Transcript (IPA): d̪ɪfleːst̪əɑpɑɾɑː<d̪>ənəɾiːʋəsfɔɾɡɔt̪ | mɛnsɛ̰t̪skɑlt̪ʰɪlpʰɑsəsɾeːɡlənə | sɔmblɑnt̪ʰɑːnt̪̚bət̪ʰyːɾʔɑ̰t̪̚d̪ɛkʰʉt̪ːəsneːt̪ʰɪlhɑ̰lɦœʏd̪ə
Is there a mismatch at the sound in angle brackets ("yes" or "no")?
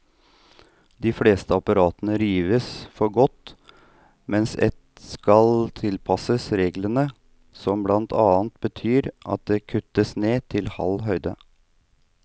yes